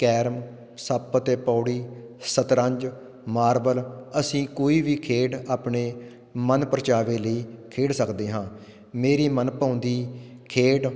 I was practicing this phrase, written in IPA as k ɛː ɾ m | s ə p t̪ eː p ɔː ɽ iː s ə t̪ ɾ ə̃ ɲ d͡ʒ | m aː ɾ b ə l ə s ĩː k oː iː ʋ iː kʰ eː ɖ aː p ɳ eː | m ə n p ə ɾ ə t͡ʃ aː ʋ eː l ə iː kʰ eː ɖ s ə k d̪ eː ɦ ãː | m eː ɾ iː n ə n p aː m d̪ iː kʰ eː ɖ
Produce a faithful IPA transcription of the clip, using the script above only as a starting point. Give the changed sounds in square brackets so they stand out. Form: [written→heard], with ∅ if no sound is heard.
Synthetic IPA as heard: k ɛː ɾ m | s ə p t̪ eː p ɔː ɽ iː s ə t̪ ɾ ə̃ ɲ d͡ʒ | m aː ɾ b ə l ə s ĩː k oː iː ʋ iː kʰ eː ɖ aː p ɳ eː | m ə n p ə ɾ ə t͡ʃ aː ʋ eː l ə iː kʰ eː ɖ s ə k d̪ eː ɦ ãː | m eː ɾ iː [n→m] ə n p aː [m→n] d̪ iː kʰ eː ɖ